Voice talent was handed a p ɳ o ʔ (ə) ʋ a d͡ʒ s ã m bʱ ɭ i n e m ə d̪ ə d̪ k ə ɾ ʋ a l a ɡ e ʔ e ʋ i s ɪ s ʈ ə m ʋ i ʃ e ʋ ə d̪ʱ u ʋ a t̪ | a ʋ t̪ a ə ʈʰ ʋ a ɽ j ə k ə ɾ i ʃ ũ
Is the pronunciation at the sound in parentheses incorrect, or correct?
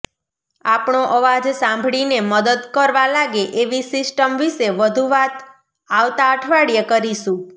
correct